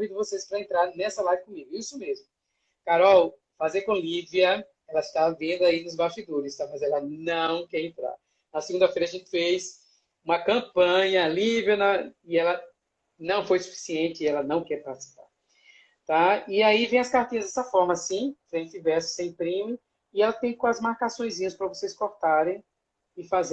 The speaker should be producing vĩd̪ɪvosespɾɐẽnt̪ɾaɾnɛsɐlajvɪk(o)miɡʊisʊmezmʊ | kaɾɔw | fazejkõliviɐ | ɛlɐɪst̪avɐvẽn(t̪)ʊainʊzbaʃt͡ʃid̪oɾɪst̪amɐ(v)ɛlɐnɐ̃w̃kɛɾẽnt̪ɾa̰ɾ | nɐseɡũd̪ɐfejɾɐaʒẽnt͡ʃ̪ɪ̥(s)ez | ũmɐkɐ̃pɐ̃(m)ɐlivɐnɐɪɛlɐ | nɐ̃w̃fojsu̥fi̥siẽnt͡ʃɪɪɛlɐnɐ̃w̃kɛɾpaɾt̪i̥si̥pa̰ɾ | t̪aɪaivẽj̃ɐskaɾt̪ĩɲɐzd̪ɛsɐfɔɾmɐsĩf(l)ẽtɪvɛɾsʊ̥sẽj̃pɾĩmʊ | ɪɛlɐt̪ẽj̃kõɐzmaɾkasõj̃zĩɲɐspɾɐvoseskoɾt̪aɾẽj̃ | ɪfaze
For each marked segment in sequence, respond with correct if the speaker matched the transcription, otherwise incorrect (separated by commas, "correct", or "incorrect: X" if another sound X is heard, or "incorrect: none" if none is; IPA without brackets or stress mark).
incorrect: õ, incorrect: d̪, incorrect: z, incorrect: f, incorrect: ɲ, incorrect: ɾ